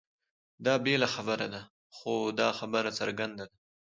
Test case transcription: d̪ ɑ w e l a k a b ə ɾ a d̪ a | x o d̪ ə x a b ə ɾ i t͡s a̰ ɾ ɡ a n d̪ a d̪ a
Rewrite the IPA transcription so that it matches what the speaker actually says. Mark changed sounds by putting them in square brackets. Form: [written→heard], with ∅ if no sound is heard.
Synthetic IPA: d̪ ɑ [w→b] e l a [k→x] a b ə ɾ a d̪ a | x o d̪ [ə→ɑ] x a b ə ɾ [i→a] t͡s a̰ ɾ ɡ a n d̪ a d̪ a